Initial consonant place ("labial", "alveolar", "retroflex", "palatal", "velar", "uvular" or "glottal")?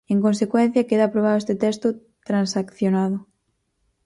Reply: velar